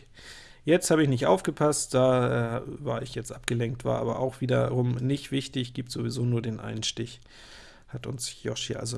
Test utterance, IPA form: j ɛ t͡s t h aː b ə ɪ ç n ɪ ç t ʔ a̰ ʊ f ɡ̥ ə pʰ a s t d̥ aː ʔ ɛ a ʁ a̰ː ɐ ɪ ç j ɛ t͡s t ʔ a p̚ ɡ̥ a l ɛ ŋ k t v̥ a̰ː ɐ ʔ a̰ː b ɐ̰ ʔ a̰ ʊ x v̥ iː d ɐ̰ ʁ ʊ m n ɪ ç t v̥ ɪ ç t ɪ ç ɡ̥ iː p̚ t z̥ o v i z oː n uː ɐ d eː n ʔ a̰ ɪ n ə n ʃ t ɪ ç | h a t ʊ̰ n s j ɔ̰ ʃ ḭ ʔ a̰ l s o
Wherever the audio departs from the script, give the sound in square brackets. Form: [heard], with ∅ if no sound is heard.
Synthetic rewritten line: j ɛ t͡s t h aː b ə ɪ ç n ɪ ç t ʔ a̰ ʊ f ɡ̥ ə pʰ a s t d̥ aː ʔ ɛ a [v] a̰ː ɐ ɪ ç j ɛ t͡s t ʔ a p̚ ɡ̥ [ə] l ɛ ŋ k t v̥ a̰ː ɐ ʔ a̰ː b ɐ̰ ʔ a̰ ʊ x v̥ iː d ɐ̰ ʁ ʊ m n ɪ ç t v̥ ɪ ç t ɪ ç ɡ̥ iː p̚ t z̥ o v i z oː n uː ɐ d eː n ʔ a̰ ɪ n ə n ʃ t ɪ ç | h a t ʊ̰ n s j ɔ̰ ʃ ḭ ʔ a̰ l [z] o